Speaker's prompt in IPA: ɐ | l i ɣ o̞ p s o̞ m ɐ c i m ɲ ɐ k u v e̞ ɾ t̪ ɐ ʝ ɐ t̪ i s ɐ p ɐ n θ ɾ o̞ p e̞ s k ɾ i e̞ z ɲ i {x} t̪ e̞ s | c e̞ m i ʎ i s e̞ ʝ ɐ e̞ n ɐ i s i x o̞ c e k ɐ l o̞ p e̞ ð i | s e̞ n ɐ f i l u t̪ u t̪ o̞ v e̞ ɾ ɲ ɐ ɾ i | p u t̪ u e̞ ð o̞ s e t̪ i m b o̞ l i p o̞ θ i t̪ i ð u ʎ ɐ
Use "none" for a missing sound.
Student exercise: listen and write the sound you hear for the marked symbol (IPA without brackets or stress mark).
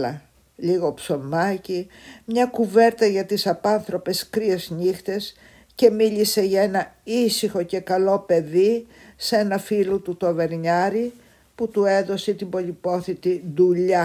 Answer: x